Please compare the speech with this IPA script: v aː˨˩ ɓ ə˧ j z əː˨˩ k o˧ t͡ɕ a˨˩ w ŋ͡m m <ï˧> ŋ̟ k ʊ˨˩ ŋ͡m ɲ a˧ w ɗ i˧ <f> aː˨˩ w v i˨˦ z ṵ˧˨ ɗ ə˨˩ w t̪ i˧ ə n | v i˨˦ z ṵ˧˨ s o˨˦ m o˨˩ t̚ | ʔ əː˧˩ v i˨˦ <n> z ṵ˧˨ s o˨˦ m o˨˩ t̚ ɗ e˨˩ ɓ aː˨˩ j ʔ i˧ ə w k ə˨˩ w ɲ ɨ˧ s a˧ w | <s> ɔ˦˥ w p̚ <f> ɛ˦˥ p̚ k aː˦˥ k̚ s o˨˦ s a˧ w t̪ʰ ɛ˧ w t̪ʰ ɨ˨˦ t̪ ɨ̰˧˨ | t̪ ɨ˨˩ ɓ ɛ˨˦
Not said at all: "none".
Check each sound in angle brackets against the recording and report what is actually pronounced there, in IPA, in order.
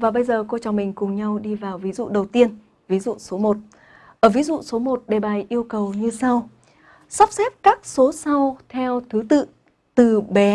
ï˨˩, v, none, s, s

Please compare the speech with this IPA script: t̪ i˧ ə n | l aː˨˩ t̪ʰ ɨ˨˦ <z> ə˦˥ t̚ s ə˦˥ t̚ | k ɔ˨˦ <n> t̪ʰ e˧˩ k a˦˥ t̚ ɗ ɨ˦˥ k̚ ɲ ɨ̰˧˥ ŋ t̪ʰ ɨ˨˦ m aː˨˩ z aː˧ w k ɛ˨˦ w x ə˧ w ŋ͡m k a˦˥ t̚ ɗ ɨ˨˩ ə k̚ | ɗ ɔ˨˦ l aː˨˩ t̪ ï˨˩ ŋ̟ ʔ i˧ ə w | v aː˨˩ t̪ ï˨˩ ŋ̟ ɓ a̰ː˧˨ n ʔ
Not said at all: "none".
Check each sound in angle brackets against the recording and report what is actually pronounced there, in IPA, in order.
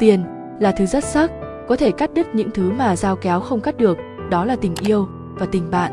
z, none

